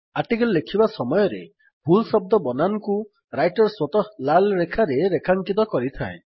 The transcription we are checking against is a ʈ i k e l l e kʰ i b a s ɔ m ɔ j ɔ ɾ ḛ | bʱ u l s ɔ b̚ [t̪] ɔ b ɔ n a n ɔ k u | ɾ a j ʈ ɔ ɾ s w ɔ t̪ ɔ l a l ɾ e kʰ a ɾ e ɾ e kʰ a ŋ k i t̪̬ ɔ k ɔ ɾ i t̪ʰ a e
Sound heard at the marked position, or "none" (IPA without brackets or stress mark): d̪